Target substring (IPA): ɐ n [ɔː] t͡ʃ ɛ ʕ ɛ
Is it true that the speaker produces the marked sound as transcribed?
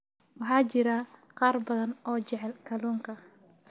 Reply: yes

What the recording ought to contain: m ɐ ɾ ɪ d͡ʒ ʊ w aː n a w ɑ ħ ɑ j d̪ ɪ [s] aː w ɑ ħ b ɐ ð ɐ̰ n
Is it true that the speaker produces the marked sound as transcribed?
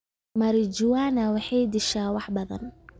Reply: no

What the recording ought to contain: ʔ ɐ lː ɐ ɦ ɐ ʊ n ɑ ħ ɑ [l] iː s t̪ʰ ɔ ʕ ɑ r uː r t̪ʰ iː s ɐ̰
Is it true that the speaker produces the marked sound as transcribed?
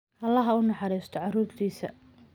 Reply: no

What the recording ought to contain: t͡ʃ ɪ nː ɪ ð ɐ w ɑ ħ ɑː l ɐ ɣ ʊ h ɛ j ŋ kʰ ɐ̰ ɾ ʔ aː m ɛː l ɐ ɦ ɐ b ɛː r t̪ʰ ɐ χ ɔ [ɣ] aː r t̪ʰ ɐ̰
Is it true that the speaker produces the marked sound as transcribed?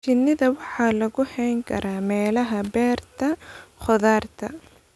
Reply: no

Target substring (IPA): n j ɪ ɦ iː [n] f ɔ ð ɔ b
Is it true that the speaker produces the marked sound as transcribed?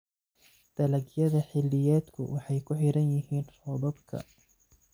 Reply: yes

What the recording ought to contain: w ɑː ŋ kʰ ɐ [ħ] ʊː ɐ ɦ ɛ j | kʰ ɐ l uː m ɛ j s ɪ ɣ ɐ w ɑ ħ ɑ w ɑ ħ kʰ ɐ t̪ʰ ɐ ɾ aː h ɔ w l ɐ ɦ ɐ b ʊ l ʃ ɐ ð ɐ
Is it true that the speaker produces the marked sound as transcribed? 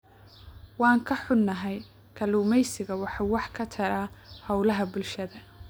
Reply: yes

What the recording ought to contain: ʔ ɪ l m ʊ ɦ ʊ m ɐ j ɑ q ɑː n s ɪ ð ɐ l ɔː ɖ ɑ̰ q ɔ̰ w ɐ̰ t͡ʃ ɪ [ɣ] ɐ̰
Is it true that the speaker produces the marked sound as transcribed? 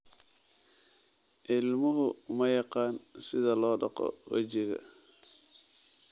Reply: yes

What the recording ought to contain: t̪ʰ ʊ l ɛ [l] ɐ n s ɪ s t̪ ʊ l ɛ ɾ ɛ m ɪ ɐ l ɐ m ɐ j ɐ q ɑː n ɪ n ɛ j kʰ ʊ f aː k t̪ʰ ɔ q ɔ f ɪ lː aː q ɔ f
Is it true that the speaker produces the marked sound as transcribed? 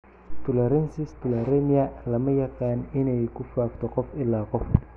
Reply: no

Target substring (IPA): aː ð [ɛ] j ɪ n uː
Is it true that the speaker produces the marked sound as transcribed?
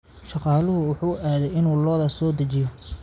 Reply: yes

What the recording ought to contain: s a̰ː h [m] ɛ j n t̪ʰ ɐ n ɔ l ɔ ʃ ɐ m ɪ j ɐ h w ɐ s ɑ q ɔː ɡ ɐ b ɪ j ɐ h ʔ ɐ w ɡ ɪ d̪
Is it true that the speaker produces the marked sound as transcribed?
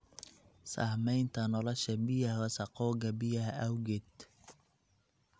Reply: yes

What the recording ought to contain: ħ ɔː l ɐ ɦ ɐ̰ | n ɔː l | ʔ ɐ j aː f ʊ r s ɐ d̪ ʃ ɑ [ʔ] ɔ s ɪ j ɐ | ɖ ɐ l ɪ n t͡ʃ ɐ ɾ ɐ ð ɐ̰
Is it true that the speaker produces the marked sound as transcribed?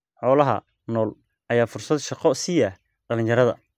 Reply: no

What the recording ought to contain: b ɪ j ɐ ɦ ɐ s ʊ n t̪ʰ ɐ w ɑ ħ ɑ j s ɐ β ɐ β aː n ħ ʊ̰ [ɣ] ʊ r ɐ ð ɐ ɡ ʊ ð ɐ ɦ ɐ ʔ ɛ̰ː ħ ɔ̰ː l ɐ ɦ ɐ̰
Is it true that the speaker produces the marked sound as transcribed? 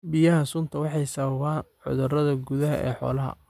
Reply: no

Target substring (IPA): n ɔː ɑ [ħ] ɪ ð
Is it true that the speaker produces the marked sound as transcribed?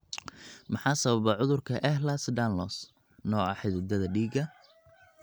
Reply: yes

